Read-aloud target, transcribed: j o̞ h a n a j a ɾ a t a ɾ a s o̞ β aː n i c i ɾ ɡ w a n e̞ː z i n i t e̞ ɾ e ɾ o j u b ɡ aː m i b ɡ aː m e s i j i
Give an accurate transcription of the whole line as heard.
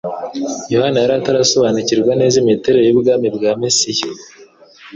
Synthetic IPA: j o̞ h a n a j a ɾ a t a ɾ a s o̞ β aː n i c i ɾ ɡ w a n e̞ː z i m i t e̞ ɾ e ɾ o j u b ɡ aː m i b ɡ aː m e s i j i

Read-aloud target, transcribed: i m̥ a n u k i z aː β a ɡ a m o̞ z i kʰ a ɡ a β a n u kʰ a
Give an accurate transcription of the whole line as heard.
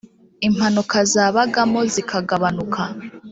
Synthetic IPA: i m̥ a n u k a z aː β a ɡ a m o̞ z i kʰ a ɡ a β a n u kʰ a

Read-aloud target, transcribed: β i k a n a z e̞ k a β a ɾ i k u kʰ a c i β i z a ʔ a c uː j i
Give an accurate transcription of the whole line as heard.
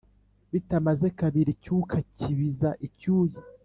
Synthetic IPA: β i t a m a z e̞ k a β i ɾ i c u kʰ a c i β i z a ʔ i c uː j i

